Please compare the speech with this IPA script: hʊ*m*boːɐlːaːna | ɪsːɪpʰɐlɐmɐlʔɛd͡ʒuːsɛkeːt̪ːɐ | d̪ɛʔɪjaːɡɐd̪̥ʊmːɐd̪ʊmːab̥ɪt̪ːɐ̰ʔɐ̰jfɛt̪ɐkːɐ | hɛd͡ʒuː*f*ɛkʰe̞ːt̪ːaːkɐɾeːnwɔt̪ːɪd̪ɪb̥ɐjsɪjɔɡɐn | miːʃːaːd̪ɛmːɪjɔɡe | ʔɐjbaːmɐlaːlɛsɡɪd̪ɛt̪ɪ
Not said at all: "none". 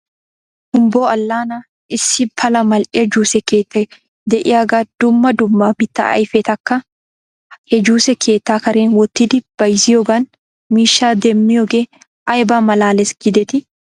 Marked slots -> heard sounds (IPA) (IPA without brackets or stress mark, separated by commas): m, s